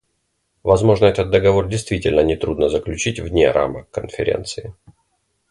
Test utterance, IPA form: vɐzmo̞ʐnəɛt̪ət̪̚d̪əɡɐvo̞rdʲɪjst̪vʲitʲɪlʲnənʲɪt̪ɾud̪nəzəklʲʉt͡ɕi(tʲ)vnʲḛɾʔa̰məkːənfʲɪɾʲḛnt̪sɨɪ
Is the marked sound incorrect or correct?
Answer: correct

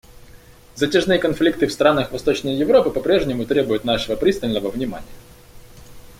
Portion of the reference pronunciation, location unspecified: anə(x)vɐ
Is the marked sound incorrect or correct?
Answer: correct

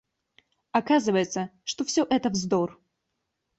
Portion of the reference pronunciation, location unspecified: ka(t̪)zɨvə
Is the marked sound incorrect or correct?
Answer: incorrect: none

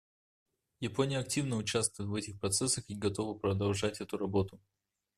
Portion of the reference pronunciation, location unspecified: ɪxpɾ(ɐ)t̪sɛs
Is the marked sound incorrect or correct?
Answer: correct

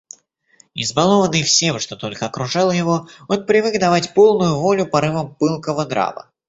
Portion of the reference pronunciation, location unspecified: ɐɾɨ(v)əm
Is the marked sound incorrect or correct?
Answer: correct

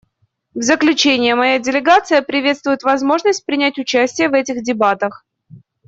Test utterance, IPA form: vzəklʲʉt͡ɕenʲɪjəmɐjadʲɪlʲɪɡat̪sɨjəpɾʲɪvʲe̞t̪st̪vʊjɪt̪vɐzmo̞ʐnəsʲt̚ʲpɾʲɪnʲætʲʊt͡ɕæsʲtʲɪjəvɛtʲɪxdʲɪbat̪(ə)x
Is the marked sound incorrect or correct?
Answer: correct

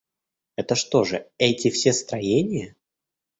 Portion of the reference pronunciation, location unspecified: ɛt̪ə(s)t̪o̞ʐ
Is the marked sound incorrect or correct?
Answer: incorrect: ʂ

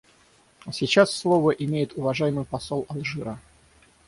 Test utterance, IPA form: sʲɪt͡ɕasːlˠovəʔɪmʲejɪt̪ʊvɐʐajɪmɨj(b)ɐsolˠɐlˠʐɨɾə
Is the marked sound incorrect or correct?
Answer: incorrect: p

